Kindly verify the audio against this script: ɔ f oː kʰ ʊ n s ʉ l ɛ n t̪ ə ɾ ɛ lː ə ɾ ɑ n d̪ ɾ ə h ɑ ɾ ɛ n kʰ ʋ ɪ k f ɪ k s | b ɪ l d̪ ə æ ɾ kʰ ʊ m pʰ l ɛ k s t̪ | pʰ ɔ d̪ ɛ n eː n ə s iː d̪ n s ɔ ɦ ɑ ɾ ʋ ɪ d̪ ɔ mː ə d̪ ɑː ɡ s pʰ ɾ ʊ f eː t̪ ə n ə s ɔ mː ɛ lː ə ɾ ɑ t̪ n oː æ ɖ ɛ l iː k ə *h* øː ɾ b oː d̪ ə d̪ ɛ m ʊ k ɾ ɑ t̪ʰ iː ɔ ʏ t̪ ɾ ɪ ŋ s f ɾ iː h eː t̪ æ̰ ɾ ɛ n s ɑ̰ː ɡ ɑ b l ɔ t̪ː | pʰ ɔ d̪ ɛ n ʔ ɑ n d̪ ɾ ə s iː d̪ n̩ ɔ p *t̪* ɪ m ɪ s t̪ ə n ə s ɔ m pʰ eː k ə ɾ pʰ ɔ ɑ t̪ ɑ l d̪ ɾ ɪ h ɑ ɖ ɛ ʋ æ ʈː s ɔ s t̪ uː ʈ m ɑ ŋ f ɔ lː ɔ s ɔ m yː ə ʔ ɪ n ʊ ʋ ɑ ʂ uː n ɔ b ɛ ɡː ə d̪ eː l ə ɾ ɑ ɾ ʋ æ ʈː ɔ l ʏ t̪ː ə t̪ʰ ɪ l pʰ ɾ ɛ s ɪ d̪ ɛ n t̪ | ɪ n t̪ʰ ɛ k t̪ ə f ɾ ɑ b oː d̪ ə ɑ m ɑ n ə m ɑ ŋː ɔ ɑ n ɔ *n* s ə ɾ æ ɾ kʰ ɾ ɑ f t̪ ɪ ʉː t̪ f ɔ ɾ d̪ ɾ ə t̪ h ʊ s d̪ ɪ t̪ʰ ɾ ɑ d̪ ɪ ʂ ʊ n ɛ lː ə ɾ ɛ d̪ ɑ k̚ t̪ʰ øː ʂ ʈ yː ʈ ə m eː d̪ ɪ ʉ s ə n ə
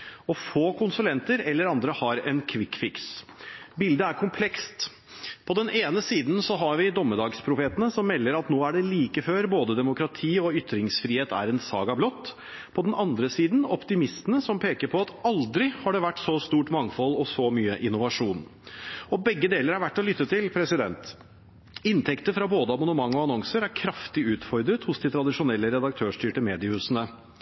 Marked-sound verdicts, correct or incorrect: incorrect, correct, incorrect

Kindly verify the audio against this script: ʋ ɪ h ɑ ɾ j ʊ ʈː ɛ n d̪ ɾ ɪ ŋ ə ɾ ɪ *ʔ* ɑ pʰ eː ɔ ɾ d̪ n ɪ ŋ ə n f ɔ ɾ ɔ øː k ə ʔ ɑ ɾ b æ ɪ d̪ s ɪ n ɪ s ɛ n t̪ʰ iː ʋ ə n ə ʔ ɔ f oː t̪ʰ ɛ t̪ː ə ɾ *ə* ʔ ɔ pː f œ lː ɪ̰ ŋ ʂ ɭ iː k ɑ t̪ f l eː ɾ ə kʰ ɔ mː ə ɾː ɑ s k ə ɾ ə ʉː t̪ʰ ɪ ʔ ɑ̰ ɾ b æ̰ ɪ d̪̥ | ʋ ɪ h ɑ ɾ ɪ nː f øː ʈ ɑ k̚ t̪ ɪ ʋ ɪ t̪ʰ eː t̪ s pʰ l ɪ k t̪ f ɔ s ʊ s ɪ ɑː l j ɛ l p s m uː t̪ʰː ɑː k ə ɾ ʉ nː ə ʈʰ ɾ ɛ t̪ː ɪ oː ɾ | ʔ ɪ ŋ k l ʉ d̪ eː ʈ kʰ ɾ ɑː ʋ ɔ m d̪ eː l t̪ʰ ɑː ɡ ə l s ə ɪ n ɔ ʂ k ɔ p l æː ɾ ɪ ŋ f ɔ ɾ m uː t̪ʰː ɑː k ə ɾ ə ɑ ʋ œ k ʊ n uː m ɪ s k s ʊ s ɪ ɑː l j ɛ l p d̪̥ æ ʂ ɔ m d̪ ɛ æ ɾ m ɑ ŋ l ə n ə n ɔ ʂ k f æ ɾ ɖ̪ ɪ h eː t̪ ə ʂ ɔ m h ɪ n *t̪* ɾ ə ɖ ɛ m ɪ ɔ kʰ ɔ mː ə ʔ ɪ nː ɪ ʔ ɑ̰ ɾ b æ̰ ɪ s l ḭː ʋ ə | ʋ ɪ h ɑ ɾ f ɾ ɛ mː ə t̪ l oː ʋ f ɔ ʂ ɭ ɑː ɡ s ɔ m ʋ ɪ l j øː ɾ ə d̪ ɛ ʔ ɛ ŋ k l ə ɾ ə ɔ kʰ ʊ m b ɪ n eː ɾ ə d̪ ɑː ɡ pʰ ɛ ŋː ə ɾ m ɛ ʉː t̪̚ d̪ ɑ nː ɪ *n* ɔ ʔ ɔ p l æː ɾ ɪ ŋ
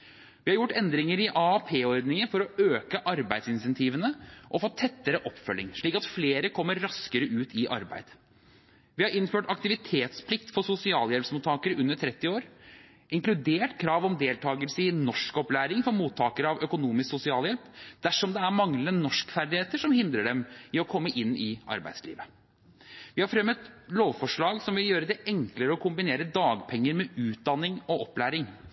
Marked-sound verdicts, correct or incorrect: correct, correct, incorrect, incorrect

